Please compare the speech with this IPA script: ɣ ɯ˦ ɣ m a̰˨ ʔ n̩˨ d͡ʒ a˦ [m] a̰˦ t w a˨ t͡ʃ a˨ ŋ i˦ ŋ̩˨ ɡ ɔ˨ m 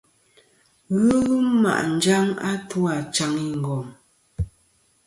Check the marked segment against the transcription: incorrect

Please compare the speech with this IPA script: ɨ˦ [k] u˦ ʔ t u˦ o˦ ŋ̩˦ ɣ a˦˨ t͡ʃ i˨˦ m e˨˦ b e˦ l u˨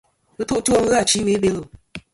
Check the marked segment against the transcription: incorrect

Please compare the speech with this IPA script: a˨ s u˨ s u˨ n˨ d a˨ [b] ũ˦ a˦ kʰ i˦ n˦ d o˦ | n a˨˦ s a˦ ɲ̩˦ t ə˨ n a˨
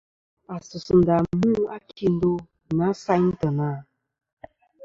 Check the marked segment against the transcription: incorrect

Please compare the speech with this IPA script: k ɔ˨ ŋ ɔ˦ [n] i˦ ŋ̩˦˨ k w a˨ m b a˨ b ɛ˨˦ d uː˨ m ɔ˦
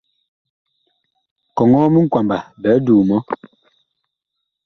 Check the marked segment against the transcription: incorrect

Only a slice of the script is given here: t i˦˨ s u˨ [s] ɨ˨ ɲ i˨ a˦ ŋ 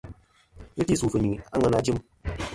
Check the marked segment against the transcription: incorrect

